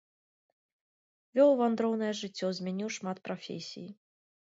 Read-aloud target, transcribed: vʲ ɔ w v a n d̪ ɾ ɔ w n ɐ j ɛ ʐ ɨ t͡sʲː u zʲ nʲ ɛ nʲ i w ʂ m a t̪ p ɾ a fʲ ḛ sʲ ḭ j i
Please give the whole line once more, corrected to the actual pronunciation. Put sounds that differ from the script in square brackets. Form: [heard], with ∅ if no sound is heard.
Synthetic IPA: vʲ ɔ w v a n d̪ ɾ ɔ w n ɐ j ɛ ʐ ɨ t͡sʲː [ɔ] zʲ [mʲ] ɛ nʲ i w ʂ m a t̪ p ɾ a fʲ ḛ sʲ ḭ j i